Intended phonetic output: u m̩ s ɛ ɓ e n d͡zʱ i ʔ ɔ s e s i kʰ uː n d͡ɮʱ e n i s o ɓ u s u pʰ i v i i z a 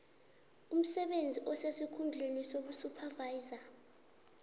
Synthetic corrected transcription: u m̩ s ɛ ɓ e n d͡zʱ i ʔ ɔ s e s i kʰ u n d͡ɮʱ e n i s o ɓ u s u pʰ a v a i z a